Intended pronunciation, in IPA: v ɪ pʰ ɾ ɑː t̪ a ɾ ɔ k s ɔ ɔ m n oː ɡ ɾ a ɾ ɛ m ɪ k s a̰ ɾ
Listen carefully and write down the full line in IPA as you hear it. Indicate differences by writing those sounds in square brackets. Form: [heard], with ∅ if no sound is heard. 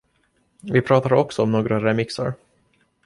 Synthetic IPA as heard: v ɪ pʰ ɾ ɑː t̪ a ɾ ɔ k s ɔ ɔ m n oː ɡ ɾ a ɾ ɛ m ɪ k s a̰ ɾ